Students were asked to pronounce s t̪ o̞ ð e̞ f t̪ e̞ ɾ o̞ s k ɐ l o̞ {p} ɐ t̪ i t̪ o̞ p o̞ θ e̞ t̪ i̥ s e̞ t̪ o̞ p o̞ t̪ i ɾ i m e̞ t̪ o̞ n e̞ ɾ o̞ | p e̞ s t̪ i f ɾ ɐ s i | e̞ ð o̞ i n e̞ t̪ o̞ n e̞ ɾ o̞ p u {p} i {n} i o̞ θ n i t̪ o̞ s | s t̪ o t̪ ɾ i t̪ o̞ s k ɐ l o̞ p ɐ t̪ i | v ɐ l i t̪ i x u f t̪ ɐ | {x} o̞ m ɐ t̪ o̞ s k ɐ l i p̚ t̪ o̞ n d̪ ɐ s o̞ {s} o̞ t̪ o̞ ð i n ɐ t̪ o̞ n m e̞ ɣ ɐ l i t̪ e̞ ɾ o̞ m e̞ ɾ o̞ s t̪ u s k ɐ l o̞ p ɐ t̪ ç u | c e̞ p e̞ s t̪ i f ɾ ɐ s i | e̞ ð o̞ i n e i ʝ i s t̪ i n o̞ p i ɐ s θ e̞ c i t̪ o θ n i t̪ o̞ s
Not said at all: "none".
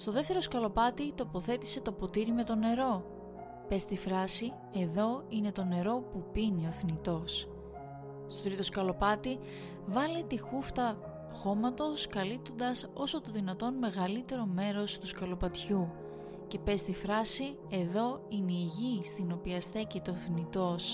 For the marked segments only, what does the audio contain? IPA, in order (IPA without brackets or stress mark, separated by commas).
p, p, n, x, s